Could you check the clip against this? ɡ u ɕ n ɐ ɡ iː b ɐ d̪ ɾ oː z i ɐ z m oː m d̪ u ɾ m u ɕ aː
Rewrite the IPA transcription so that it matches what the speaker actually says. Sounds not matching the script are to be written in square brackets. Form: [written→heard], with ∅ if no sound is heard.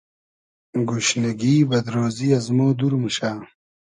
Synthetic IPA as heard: ɡ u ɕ n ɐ ɡ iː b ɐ d̪ ɾ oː z i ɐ z m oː [m→∅] d̪ u ɾ m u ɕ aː